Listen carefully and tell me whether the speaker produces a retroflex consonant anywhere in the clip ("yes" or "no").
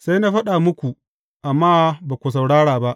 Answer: yes